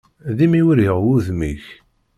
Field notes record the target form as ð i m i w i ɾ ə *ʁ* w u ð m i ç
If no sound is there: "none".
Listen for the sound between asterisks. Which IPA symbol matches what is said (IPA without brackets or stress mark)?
ʁ